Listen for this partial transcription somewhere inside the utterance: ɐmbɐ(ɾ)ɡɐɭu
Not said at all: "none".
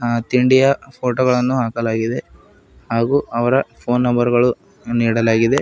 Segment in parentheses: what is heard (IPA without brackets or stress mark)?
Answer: ɾ